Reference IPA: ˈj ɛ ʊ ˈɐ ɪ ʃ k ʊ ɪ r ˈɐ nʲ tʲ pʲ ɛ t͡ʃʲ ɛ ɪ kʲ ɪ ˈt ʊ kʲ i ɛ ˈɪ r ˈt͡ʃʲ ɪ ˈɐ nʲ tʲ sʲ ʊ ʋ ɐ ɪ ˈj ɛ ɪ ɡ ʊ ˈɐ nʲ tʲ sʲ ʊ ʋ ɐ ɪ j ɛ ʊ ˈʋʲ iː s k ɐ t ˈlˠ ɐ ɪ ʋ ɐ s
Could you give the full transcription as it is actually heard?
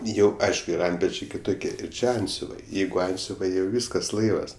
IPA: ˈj ɛ ʊ ˈɐ ɪ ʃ k ʊ ɪ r ˈɐ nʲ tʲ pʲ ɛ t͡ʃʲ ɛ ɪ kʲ ɪ ˈt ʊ kʲ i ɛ ˈɪ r ˈt͡ʃʲ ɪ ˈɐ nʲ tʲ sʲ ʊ ʋ ɐ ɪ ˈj ɛ ɪ ɡ ʊ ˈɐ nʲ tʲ sʲ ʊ ʋ ɐ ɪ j ɛ ʊ ˈʋʲ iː s k ɐ s ˈlˠ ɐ ɪ ʋ ɐ s